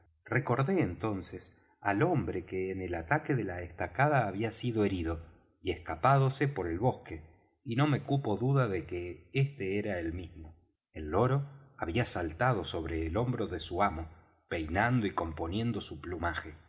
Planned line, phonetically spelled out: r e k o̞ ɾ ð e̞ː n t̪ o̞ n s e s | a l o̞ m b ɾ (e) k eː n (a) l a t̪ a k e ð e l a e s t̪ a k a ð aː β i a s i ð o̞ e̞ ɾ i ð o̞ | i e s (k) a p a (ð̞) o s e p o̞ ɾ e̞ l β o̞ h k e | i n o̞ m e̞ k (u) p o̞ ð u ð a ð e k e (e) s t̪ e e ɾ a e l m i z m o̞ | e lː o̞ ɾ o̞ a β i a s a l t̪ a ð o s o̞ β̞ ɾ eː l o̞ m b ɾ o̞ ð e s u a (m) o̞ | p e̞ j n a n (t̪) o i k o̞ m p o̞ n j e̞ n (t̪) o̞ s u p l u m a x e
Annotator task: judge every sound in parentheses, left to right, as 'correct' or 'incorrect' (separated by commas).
correct, incorrect, correct, correct, correct, correct, correct, incorrect, incorrect